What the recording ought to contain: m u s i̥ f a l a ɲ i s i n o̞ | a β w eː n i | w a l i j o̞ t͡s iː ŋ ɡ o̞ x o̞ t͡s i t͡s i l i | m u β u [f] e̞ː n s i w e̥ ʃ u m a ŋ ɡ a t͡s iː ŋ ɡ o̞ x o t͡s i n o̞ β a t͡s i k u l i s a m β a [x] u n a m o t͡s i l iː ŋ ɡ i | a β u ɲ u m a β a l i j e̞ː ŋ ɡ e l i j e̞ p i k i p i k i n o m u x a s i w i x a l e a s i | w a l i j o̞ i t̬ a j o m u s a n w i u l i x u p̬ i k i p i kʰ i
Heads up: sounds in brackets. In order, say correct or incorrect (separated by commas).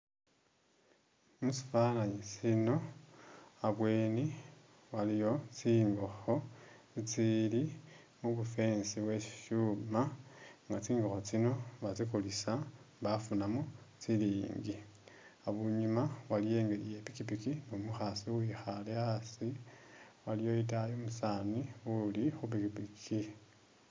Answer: correct, incorrect